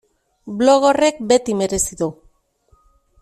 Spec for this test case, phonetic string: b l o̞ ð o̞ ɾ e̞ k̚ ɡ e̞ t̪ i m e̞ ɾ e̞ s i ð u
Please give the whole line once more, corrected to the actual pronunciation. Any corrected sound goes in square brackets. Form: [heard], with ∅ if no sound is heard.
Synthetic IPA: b l o̞ [ɣ] o̞ [r] e̞ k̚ [b] e̞ t̪ i m e̞ ɾ e̞ s i ð u